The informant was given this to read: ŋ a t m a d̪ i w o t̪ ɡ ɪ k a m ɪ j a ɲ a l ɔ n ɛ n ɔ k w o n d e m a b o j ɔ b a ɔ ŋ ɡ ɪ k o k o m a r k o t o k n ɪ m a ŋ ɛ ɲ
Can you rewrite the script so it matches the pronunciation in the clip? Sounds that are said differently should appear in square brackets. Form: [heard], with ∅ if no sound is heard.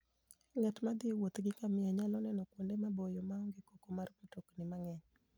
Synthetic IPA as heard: ŋ a t m a d̪ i w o t̪ ɡ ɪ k a m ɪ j a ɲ a l ɔ n ɛ n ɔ k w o n d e m a b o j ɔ [m] a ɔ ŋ ɡ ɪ k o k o m a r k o t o k n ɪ m a ŋ ɛ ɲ